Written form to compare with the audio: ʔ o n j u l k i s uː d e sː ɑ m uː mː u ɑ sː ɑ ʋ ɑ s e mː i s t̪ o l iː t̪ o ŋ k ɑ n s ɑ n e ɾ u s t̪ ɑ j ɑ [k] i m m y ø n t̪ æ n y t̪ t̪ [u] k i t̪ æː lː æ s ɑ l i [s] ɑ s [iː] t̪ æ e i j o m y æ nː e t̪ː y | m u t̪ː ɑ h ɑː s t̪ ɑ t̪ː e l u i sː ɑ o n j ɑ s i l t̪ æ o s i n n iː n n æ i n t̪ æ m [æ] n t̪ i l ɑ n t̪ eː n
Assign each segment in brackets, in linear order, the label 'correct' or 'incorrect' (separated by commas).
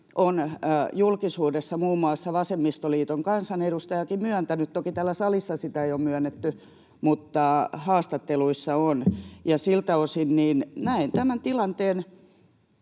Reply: correct, incorrect, incorrect, incorrect, correct